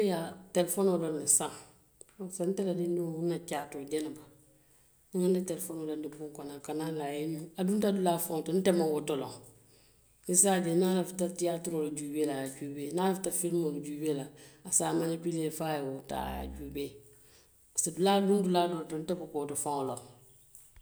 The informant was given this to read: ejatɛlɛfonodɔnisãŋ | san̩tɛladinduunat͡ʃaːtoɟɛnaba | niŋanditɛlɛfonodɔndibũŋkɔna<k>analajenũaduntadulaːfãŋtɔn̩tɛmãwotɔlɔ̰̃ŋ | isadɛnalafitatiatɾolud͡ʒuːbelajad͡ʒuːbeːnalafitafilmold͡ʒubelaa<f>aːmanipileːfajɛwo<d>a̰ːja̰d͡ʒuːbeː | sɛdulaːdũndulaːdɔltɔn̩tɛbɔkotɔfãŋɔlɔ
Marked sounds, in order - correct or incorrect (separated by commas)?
correct, incorrect, incorrect